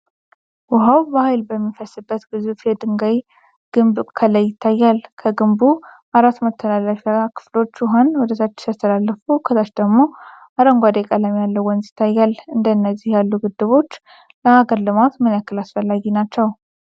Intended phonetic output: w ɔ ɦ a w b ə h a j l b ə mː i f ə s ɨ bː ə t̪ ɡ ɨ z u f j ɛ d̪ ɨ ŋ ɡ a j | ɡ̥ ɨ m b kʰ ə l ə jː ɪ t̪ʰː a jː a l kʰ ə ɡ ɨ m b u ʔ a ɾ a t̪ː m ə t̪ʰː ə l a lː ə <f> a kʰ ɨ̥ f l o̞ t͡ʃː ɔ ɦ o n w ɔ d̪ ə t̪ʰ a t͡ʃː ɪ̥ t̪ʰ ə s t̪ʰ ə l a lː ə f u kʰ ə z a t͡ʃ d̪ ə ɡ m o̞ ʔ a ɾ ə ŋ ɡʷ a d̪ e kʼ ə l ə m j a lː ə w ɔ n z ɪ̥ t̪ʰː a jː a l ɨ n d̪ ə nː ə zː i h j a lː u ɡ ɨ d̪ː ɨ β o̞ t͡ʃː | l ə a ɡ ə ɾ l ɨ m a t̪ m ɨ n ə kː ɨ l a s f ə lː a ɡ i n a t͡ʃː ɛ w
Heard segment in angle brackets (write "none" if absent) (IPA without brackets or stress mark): f